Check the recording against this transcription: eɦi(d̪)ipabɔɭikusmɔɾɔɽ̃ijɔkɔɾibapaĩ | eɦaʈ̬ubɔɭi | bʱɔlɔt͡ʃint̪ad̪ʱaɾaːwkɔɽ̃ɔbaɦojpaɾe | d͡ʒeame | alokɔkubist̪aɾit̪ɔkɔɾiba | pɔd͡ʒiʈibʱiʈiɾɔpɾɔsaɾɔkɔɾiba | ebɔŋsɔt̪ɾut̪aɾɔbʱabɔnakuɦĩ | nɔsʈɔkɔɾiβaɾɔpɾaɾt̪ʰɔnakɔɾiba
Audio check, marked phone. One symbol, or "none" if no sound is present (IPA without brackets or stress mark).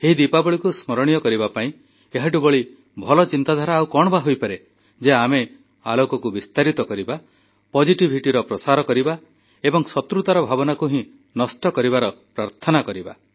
d̪